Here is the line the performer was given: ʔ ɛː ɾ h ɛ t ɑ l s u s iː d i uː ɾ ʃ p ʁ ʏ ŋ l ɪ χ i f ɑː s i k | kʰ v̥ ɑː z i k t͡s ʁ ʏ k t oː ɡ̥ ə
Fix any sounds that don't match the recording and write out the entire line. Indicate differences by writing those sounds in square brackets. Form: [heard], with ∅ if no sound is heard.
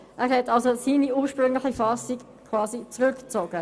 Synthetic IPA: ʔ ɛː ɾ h ɛ t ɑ l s [o] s iː [n] i uː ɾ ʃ p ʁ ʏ ŋ l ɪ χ i f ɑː s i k | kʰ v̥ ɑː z i [∅] t͡s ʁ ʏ k [t͡s] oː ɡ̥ ə